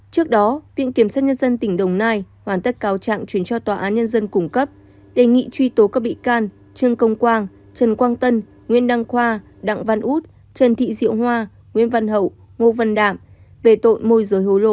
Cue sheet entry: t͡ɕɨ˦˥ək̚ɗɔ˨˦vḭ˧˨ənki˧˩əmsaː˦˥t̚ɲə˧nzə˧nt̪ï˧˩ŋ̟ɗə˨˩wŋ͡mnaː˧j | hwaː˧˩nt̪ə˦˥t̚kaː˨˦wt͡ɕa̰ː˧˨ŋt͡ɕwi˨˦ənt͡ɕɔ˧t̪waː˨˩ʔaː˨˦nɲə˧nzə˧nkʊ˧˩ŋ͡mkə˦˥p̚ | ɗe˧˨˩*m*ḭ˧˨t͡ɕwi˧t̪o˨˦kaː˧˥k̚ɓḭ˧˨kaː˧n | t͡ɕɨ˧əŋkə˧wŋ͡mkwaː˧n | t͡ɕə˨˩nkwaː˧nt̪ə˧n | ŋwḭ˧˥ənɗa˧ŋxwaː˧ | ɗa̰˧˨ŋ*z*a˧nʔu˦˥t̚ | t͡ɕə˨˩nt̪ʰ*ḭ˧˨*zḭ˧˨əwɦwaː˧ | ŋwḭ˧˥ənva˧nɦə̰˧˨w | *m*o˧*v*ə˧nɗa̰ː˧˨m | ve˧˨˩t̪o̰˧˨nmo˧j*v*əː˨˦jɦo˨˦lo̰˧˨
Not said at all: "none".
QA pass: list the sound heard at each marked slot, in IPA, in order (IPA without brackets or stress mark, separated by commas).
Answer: ŋ, v, ḭ˧˨, ŋ, v, z